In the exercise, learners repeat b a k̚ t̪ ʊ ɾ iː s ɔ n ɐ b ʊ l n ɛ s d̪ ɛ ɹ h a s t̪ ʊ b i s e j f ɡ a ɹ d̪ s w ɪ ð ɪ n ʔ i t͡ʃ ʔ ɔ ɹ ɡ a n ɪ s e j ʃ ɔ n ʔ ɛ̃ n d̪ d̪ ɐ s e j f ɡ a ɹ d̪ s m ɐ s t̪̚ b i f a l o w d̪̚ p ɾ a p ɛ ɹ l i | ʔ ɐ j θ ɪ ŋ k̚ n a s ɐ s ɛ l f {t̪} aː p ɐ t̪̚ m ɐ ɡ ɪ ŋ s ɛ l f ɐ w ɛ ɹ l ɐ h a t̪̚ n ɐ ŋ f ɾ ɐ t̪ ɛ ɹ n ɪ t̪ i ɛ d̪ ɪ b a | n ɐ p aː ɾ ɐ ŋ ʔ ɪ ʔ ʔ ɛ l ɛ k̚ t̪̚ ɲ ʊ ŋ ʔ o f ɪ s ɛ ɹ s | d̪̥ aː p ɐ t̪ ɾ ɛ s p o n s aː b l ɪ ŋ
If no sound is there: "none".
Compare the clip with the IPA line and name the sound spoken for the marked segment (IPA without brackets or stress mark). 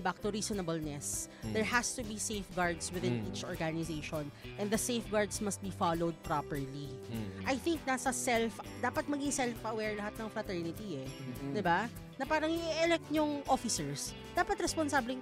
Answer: d̪